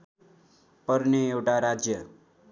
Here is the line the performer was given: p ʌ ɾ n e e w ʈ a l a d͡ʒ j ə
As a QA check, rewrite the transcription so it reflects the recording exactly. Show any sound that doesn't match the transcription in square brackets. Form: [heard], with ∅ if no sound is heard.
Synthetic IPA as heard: p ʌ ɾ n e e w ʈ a [ɾ] a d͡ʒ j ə